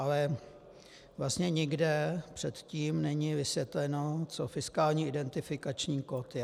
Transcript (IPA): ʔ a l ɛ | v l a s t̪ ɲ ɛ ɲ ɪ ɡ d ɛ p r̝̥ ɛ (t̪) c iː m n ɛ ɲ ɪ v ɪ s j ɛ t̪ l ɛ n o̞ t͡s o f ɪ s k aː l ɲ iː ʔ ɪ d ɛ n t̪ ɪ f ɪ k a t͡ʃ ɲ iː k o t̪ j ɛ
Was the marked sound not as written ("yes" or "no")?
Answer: no